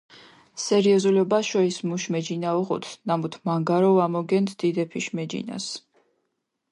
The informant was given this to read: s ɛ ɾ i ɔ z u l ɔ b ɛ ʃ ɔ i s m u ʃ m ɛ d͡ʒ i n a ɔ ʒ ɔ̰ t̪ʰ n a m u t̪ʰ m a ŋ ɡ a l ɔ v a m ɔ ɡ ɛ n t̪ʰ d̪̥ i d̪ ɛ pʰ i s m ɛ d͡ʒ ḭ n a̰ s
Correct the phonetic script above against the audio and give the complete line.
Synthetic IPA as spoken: s ɛ ɾ i ɔ z u l ɔ b a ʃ ɔ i s m u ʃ m ɛ d͡ʒ i n a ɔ ʁ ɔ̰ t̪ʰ n a m u t̪ʰ m a ŋ ɡ a ɾ ɔ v a m ɔ ɡ ɛ n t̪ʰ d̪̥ i d̪ ɛ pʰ i ʃ m ɛ d͡ʒ ḭ n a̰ s